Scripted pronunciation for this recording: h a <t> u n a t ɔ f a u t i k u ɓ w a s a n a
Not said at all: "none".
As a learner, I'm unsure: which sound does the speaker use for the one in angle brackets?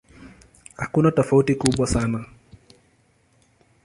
k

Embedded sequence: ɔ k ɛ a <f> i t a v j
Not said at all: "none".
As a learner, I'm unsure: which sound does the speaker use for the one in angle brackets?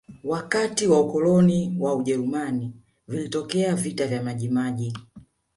v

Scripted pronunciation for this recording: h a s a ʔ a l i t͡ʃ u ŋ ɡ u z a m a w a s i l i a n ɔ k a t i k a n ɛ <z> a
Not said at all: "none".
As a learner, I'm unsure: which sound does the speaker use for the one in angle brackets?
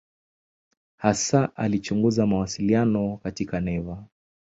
v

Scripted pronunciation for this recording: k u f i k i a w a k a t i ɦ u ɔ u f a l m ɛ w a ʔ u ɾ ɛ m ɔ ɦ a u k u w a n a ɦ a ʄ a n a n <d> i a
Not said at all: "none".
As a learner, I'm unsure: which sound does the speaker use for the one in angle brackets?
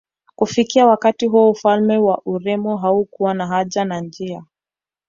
d͡ʒ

